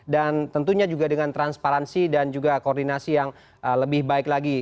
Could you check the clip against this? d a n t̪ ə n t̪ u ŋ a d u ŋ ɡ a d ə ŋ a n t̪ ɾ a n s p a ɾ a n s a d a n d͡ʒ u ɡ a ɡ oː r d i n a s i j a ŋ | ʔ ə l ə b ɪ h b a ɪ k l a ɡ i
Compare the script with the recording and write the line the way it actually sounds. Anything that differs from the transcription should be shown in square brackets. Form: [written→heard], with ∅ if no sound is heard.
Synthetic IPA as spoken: d a n t̪ ə n t̪ u [ŋ→ɲ] a [d→d͡ʒ] u [ŋ→∅] ɡ a d ə ŋ a n t̪ ɾ a n s p a ɾ a n s [a→i] d a n d͡ʒ u ɡ a [ɡ→k] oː r d i n a s i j a ŋ | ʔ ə l ə b ɪ h b a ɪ k l a ɡ i